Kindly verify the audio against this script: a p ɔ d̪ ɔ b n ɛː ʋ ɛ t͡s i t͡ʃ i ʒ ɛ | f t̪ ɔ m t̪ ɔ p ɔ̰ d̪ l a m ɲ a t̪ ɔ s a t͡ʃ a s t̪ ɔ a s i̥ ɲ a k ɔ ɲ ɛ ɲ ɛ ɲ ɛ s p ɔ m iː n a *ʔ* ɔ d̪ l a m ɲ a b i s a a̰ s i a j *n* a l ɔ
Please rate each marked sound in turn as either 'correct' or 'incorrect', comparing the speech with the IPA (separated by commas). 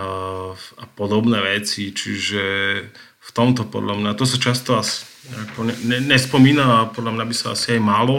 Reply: incorrect, incorrect